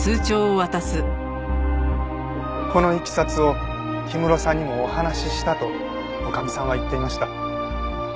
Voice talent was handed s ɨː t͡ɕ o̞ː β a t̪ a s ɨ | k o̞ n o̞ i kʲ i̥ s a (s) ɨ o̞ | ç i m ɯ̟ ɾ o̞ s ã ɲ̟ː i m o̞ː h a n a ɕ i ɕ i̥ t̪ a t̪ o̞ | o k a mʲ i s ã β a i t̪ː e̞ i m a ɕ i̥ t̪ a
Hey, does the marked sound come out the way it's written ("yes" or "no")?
no